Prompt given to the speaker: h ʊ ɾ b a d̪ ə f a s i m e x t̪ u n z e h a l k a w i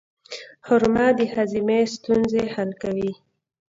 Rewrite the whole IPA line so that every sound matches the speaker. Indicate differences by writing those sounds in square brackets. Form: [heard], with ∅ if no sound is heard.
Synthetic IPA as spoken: h ʊ ɾ [m] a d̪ ə [h] a [z] i m e [s] t̪ u n z e h a l k a w i